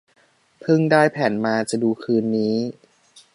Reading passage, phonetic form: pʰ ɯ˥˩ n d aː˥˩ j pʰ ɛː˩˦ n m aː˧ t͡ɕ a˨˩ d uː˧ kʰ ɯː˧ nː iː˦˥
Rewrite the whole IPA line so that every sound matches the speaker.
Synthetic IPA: pʰ ɯ˥˩ ŋ d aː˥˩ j pʰ ɛː˩˦ n m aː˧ t͡ɕ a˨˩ d uː˧ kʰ ɯː˧ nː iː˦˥